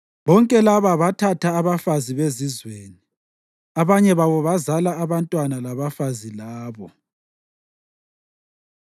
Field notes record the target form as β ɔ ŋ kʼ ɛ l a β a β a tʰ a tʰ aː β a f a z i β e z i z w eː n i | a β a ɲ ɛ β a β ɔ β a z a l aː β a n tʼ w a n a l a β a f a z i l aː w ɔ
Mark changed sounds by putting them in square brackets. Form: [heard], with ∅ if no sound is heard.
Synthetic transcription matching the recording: β ɔ ŋ kʼ ɛ l a β a β a tʰ a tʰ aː β a f a z i β e z i z w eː n i | a β a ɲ ɛ β a β ɔ β a z a l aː β a n tʼ w a n a l a β a f a z i l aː [β] ɔ